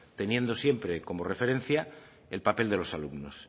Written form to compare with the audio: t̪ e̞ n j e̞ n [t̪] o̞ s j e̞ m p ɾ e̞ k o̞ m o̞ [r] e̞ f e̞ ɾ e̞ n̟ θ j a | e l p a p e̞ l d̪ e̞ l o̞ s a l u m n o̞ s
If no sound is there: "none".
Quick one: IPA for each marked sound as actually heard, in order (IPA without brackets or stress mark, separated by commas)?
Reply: d̪, r